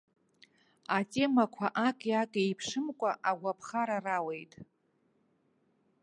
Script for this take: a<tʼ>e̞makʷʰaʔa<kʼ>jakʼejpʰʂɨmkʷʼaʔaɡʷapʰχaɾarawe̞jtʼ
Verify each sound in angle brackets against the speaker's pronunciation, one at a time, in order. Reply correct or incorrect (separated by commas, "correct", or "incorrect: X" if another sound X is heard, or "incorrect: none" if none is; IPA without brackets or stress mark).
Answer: correct, correct